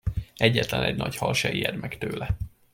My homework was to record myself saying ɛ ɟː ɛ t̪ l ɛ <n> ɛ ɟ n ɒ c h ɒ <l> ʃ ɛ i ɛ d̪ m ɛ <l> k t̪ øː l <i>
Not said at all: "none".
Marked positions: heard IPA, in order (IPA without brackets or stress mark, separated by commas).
n, l, none, ɛ